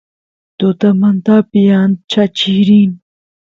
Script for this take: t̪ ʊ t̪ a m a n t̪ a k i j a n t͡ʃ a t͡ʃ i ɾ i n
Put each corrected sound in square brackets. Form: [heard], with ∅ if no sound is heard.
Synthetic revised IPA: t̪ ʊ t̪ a m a n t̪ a [p] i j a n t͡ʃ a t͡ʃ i ɾ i n

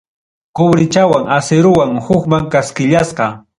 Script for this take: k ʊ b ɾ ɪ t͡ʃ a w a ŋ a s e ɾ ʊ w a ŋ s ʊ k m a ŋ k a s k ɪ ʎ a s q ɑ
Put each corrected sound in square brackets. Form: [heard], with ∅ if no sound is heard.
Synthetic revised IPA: k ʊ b ɾ ɪ t͡ʃ a w a ŋ a s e ɾ ʊ w a ŋ [h] ʊ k m a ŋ k a s k ɪ ʎ a s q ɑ

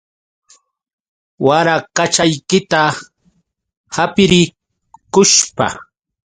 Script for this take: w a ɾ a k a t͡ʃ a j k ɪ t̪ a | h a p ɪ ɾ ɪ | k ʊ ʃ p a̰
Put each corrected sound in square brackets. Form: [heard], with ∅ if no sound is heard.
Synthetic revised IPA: w a ɾ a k a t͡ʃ a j k ɪ t̪ a | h a p ɪ ɾ ɪ | k ʊ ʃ p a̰

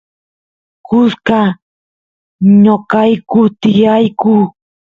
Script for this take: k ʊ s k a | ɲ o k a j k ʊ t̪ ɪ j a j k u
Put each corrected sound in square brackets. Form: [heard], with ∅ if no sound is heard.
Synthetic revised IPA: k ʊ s k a | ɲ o k a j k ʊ t̪ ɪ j a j k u

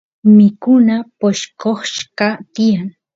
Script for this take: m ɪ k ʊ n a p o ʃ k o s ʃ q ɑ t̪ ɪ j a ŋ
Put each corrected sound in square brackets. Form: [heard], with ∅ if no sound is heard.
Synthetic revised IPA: m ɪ k ʊ n a p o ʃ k o [χ] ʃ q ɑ t̪ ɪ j a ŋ

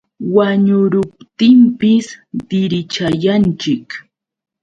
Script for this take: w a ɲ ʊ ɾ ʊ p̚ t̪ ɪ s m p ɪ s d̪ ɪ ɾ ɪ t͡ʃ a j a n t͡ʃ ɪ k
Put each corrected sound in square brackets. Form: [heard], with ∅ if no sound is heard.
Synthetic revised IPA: w a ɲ ʊ ɾ ʊ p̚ t̪ ɪ [∅] m p ɪ s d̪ ɪ ɾ ɪ t͡ʃ a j a n t͡ʃ ɪ k

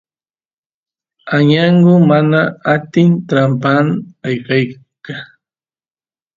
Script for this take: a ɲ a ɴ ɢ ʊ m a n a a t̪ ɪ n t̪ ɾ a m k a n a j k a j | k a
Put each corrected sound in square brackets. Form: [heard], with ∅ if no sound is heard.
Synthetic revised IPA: a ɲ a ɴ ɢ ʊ m a n a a t̪ ɪ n t̪ ɾ a m [p] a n a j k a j | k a

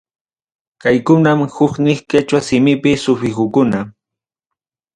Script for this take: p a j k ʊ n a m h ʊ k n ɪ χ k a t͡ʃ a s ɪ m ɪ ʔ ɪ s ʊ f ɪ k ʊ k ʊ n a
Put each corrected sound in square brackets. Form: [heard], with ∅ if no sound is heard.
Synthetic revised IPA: [k] a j k ʊ n a m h ʊ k n ɪ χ k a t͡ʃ a s ɪ m ɪ [p] ɪ s ʊ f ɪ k ʊ k ʊ n a

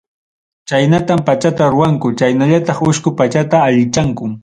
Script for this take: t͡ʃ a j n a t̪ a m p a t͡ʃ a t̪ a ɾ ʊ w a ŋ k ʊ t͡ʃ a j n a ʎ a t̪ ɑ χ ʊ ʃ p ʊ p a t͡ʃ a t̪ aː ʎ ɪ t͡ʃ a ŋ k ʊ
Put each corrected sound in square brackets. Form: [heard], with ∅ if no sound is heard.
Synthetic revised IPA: t͡ʃ a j n a t̪ a m p a t͡ʃ a t̪ a ɾ ʊ w a ŋ k ʊ t͡ʃ a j n a ʎ a t̪ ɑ χ ʊ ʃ [k] ʊ p a t͡ʃ a t̪ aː ʎ ɪ t͡ʃ a ŋ k ʊ

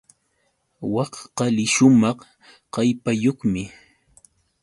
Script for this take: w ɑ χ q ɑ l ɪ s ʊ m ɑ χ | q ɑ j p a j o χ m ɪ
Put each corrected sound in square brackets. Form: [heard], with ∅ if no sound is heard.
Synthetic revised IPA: w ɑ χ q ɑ l ɪ [ʃ] ʊ m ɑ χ | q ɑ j p a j o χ m ɪ

